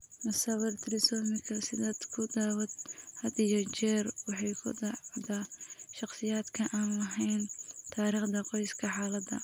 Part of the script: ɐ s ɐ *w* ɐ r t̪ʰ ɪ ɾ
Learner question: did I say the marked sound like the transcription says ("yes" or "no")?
yes